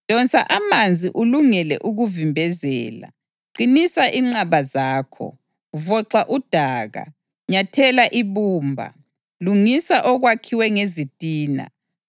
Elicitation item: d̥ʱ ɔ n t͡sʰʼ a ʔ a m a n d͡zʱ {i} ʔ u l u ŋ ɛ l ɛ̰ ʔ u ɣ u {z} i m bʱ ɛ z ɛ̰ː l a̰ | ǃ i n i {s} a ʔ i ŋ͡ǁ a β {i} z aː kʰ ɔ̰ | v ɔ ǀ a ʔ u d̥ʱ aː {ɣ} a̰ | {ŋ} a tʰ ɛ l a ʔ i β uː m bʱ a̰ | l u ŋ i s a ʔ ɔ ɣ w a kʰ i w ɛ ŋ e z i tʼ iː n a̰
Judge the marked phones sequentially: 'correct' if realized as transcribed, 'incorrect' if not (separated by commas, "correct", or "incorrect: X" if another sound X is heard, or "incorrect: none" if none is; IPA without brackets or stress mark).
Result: correct, incorrect: v, correct, incorrect: a, correct, incorrect: ɲ